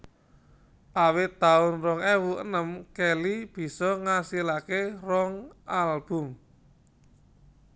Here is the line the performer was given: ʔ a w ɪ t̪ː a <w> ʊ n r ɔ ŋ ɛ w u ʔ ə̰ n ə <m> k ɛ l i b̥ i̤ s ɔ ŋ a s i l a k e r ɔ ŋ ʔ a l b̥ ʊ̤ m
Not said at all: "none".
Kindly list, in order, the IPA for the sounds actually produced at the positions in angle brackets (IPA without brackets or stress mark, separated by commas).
none, m